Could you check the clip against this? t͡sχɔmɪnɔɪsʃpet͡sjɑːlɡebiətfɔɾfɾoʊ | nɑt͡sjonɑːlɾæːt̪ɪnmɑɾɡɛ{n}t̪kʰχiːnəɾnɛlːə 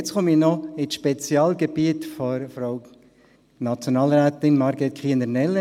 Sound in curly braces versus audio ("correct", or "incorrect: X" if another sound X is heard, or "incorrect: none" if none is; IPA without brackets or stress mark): incorrect: none